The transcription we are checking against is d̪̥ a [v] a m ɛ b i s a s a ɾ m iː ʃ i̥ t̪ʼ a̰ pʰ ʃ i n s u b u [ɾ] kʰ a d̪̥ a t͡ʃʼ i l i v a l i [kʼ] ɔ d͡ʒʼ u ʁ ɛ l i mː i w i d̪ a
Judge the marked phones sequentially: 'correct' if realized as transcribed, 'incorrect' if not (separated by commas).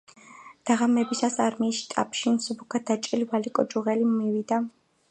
incorrect, incorrect, correct